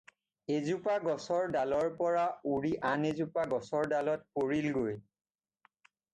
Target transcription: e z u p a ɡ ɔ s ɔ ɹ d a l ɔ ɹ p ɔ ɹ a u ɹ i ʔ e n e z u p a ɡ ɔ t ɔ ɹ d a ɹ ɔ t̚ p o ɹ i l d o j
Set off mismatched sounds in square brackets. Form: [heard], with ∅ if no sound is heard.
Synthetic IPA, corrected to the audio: e z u p a ɡ ɔ s ɔ ɹ d a l ɔ ɹ p ɔ ɹ a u ɹ i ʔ [a] n e z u p a ɡ ɔ [s] ɔ ɹ d a [l] ɔ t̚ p o ɹ i l [ɡ] o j